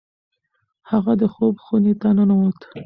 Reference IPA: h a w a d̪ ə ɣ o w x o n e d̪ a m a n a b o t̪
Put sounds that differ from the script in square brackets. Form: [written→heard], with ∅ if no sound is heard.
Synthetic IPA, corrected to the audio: h a [w→ɣ] a d̪ ə [ɣ→x] o [w→b] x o n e [d̪→t̪] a [m→n] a n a [b→w] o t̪